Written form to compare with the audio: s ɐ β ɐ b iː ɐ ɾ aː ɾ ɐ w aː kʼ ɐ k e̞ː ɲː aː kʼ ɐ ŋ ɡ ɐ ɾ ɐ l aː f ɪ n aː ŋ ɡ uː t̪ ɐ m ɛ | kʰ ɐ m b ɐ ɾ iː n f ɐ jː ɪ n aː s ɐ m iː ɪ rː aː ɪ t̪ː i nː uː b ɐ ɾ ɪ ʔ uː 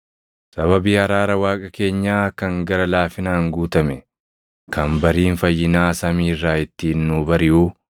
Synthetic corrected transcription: s ɐ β ɐ b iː ɐ ɾ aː ɾ ɐ w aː kʼ ɐ k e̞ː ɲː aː k ɐ ŋ ɡ ɐ ɾ ɐ l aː f ɪ n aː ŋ ɡ uː t̪ ɐ m ɛ | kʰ ɐ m b ɐ ɾ iː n f ɐ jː ɪ n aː s ɐ m iː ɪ rː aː ɪ t̪ː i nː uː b ɐ ɾ ɪ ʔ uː